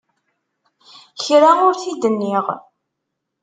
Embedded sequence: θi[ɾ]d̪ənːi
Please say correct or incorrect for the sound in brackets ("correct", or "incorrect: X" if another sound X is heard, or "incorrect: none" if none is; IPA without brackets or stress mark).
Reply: incorrect: none